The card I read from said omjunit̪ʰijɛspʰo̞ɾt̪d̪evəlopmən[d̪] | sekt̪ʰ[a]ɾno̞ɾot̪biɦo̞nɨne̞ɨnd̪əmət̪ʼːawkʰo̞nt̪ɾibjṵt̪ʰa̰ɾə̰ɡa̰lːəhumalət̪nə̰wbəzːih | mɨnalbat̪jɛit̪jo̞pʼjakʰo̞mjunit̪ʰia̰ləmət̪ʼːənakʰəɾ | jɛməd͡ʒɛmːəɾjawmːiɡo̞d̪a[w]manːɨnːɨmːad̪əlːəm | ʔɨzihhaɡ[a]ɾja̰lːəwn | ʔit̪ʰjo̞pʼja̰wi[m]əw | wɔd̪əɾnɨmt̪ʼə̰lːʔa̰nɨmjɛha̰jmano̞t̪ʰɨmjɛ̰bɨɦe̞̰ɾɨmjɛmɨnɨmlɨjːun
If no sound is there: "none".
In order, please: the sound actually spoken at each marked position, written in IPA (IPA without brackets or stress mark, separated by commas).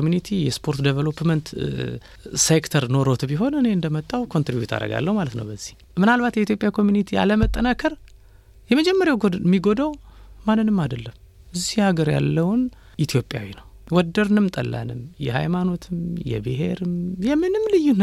t̪, ə, w, ə, n